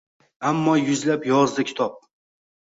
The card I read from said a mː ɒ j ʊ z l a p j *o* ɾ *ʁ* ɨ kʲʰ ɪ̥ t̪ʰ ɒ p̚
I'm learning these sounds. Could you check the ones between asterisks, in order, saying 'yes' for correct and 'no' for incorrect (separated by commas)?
no, no